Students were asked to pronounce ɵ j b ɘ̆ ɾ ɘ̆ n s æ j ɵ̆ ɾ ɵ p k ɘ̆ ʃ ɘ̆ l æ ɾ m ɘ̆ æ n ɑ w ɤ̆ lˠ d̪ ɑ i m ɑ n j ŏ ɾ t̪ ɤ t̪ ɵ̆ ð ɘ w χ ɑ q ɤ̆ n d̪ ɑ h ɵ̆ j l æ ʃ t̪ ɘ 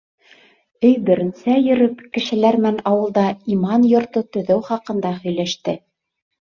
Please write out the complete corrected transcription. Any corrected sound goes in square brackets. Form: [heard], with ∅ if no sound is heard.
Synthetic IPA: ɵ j b ɘ̆ ɾ ɘ̆ n s æ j ɵ̆ ɾ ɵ p k ɘ̆ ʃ ɘ̆ l æ ɾ m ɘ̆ æ n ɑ w ɤ̆ lˠ d̪ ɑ i m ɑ n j ŏ ɾ t̪ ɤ t̪ ɵ̆ ð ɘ w χ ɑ q ɤ̆ n d̪ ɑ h ɵ̆ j l æ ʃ t̪ ɘ